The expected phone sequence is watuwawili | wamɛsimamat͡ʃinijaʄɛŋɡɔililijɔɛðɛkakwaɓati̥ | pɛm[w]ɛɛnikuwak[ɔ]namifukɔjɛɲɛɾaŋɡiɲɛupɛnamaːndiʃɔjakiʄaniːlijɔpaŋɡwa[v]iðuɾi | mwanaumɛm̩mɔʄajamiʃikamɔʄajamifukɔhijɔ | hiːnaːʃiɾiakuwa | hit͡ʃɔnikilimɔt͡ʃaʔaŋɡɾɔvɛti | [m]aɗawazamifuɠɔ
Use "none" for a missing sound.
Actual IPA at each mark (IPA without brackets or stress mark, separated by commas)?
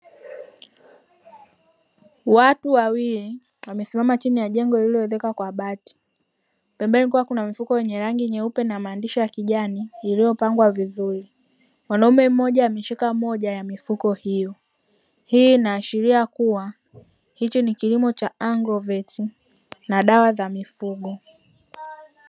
b, u, v, n